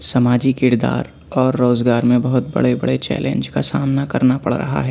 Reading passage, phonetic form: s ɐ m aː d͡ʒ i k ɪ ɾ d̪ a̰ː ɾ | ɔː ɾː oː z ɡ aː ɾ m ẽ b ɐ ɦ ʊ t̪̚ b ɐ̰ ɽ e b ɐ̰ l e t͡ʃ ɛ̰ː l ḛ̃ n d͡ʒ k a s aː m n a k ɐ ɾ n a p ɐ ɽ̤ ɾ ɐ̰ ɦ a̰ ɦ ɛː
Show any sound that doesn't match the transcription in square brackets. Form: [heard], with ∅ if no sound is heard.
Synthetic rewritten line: s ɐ m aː d͡ʒ i k ɪ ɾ d̪ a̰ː ɾ | ɔː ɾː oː z ɡ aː ɾ m ẽ b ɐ ɦ ʊ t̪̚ b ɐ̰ ɽ e b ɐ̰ [ɽ] e t͡ʃ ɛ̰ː l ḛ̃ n d͡ʒ k a s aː m n a k ɐ ɾ n a p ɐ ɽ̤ ɾ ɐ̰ ɦ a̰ ɦ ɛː